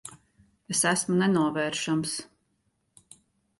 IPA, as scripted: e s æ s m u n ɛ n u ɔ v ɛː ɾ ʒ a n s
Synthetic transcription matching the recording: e s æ s m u n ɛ n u ɔ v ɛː ɾ ʃ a m s

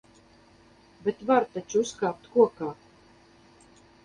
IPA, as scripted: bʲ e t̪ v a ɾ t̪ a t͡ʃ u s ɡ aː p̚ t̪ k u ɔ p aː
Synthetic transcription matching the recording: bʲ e t̪ v a ɾ t̪ a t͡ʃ u s k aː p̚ t̪ k u ɔ k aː

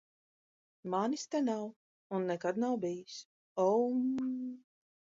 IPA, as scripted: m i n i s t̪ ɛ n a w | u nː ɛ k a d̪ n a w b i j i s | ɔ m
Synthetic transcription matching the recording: m a n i s t̪ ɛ n a w | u nː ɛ k a d̪ n a w b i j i s | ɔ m

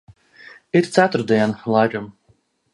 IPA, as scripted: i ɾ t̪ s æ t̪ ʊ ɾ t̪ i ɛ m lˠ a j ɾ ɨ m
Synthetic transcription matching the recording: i ɾ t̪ s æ t̪ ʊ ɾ d̪ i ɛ n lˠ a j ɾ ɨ m

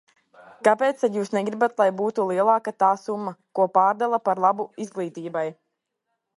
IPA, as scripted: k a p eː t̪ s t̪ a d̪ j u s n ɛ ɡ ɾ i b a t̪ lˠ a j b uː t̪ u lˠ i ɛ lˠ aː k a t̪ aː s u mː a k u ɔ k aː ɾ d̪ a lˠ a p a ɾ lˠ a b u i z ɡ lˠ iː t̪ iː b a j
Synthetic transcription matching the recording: k a p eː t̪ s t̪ a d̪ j uː s n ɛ ɡ ɾ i b a t̪ lˠ a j b uː t̪ u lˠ i ɛ lˠ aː k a t̪ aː s u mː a k u ɔ p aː ɾ d̪ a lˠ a p a ɾ lˠ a b u i z ɡ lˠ iː t̪ iː b a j

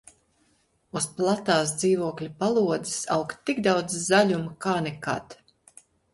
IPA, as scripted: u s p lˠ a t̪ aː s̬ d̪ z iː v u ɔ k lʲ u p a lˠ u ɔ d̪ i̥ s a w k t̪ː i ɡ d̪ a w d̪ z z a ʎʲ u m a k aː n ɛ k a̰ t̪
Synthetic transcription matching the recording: u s p lˠ a t̪ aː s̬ d̪ z iː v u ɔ k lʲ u p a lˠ u ɔ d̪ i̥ s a w k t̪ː i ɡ d̪ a w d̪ z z a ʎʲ u m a k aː n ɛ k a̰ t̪

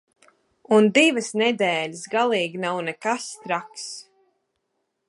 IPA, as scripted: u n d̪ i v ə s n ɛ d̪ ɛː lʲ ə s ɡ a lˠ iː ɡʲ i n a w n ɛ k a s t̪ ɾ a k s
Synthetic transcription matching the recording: u n d̪ i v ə s n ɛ d̪ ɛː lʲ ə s ɡ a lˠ iː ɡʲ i n a w n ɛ k a s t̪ ɾ a k s

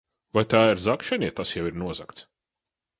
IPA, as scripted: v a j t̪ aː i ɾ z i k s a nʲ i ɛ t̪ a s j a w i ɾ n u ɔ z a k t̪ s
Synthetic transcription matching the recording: v a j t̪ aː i ɾ z a k ʃ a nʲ i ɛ t̪ a s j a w i ɾ n u ɔ z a k t̪ s

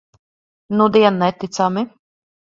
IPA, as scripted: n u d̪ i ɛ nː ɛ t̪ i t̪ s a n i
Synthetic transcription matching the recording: n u d̪ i ɛ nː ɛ t̪ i t̪ s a m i

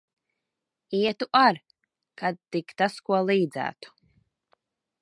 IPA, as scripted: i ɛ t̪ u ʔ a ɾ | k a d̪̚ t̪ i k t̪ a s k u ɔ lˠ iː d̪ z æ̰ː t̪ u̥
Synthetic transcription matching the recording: i ɛ t̪ u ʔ a ɾ | k a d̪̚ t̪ i k t̪ a s k u ɔ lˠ iː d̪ z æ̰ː t̪ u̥

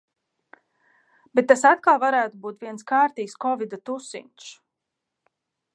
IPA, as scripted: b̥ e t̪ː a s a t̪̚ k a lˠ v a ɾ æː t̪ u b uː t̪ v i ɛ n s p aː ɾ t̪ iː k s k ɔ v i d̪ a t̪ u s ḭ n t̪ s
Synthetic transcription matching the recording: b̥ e t̪ː a s a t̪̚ k a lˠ v a ɾ æː t̪ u b uː t̪ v i ɛ n s k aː ɾ t̪ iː k s k ɔ v i d̪ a t̪ u s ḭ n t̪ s

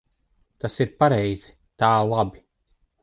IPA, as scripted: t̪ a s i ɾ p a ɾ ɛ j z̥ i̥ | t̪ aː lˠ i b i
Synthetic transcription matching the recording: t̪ a s i ɾ p a ɾ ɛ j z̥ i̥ | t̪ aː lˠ a b i

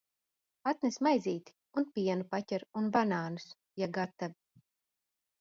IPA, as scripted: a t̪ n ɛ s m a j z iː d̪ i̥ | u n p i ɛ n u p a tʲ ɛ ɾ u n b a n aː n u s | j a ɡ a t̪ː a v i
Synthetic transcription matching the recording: a t̪ n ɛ s m a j z iː t̪ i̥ | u n p i ɛ n u p a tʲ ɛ ɾ u n b a n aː n u s | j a ɡ a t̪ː a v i

